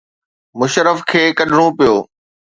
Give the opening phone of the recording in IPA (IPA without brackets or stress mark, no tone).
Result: m